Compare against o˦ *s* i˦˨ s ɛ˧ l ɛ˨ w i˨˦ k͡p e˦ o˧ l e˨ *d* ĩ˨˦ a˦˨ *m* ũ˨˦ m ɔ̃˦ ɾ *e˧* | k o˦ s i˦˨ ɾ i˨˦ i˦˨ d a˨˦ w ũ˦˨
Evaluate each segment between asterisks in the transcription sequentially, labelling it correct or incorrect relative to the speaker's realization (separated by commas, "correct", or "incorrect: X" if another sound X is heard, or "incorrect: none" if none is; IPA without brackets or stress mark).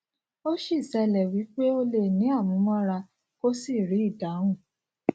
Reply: incorrect: ʃ, incorrect: n, correct, incorrect: a˧